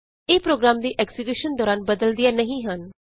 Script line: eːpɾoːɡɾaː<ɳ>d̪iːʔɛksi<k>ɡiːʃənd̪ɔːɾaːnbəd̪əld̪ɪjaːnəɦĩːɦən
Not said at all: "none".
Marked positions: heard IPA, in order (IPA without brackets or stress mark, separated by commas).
m, none